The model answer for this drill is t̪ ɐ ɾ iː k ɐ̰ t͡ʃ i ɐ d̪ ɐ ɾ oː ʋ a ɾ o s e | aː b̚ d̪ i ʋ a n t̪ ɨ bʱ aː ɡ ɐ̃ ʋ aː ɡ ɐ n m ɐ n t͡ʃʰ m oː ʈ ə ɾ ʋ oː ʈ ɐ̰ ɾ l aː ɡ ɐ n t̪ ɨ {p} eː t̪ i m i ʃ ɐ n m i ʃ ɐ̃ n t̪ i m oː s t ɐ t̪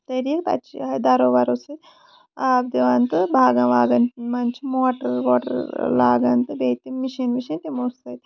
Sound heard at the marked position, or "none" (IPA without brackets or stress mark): b